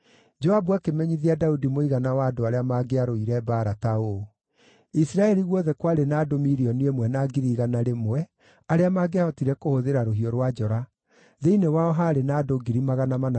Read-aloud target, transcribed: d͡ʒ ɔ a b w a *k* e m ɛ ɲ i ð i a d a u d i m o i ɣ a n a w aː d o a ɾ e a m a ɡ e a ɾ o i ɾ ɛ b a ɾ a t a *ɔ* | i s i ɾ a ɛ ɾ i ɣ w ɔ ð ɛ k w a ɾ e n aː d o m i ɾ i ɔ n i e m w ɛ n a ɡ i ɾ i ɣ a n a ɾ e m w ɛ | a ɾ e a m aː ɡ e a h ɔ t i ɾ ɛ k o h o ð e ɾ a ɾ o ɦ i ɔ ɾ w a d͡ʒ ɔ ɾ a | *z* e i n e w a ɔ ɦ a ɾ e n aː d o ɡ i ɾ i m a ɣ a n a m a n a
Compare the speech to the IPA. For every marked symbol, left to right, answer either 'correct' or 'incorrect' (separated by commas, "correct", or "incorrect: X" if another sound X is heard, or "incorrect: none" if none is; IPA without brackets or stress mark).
correct, incorrect: o, incorrect: ð